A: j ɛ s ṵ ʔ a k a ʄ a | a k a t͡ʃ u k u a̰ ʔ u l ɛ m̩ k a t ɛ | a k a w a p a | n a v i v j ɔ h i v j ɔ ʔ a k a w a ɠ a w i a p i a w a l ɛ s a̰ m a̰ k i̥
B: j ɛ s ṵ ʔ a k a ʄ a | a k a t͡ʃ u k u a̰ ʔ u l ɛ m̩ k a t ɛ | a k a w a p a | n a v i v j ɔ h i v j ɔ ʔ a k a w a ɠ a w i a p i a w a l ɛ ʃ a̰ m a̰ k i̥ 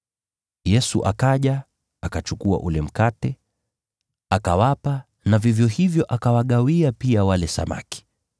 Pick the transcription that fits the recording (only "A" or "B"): A